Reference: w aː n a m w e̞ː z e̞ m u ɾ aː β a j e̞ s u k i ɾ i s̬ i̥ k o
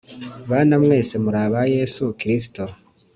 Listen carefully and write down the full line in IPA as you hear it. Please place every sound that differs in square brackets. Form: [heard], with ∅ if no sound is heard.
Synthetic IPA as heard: [β] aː n a m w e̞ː [s] e̞ m u ɾ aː β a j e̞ s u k i ɾ i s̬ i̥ [t] o